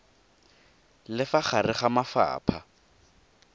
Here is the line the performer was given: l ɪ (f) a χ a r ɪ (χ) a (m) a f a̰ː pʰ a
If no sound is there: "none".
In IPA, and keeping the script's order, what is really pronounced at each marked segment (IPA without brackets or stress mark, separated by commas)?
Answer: f, χ, m